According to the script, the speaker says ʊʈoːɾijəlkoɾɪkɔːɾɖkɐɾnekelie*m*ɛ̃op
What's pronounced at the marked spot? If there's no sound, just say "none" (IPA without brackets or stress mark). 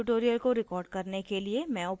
m